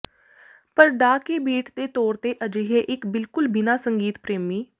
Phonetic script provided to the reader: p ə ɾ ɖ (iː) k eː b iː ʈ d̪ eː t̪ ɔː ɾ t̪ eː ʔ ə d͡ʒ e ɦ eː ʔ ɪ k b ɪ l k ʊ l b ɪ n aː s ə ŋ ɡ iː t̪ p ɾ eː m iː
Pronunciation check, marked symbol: incorrect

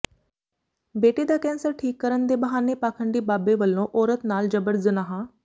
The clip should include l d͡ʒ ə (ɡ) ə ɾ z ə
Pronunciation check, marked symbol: incorrect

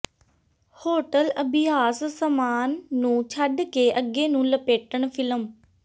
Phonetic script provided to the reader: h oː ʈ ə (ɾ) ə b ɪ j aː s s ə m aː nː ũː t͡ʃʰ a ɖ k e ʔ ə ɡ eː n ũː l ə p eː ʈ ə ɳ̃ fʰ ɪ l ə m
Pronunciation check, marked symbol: incorrect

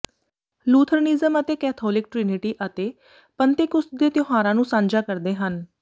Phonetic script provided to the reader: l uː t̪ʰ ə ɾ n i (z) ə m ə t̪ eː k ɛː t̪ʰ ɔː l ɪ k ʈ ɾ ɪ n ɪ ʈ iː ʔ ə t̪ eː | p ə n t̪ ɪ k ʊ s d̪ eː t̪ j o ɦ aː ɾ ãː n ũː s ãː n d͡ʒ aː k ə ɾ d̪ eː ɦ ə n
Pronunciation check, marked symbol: correct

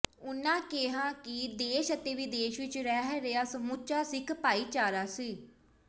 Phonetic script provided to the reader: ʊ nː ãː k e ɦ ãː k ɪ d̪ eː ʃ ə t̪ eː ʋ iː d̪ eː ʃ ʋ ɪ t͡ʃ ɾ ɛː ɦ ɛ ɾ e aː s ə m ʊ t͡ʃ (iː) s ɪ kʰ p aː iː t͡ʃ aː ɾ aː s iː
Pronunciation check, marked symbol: incorrect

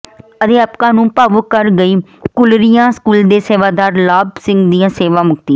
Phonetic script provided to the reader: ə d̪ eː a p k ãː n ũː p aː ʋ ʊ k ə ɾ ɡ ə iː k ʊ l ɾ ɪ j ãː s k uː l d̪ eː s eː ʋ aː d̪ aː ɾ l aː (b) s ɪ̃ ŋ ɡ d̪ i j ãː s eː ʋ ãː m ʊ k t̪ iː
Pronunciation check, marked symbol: correct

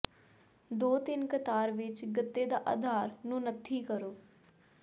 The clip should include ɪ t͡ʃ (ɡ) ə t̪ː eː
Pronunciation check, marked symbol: correct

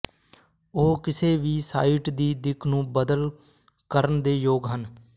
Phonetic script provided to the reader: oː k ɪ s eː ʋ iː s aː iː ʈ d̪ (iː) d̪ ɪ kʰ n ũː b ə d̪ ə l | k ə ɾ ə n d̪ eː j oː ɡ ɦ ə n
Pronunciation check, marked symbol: correct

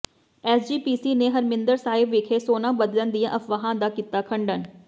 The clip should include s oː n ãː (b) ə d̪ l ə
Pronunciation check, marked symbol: correct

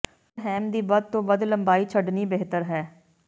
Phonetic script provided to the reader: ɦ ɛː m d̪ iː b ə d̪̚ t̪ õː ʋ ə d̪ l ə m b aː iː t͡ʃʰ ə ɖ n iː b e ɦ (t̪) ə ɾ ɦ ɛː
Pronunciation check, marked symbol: correct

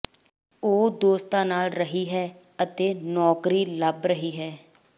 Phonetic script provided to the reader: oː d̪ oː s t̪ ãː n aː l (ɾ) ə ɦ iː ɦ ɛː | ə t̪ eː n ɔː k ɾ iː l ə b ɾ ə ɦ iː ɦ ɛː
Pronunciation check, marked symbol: correct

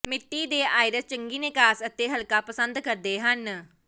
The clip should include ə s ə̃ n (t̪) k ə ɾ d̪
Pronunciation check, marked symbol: incorrect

